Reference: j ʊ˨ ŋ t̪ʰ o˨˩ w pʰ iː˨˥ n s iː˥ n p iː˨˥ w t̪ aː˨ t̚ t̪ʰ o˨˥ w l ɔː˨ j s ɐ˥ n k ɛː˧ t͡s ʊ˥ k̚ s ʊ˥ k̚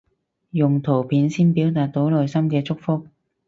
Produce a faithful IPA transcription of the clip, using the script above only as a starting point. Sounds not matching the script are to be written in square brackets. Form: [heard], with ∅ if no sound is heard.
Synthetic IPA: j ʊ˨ ŋ t̪ʰ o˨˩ w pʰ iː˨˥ n s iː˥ n p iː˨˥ w t̪ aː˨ t̚ [t̪] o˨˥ w l ɔː˨ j s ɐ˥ [m] k ɛː˧ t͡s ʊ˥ k̚ [f] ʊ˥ k̚